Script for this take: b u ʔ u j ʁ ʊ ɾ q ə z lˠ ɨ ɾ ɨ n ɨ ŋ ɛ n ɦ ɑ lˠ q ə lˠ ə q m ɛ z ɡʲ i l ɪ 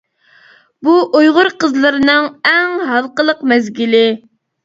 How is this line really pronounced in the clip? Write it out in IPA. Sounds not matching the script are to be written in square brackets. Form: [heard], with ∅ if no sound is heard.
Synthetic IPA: b u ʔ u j ʁ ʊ ɾ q ə z lˠ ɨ ɾ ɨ n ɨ ŋ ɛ [ŋ] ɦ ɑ lˠ q ə lˠ ə q m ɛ z ɡʲ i l ɪ